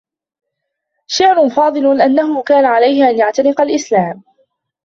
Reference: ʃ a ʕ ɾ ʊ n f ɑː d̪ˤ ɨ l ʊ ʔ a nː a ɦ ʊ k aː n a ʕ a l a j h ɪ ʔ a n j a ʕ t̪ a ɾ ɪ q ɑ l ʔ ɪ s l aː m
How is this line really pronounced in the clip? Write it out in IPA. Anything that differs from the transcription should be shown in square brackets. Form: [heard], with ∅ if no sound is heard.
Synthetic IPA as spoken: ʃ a ʕ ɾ ʊ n f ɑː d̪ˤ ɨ l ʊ ʔ a nː a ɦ ʊ k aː n a ʕ a l a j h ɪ ʔ a n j a ʕ t̪ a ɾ ɪ q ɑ l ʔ ɪ s l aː m